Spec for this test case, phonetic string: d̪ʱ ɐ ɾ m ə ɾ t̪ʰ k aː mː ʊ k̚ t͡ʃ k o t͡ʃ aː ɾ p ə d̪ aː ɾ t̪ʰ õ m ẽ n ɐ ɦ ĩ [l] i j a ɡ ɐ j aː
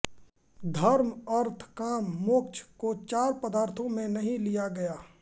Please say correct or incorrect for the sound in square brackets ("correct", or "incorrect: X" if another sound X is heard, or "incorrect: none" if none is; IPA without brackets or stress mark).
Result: correct